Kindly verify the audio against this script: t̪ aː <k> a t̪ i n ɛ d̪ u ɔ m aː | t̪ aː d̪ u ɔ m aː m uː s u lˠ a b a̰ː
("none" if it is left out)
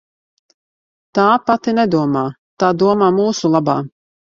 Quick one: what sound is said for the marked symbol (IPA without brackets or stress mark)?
p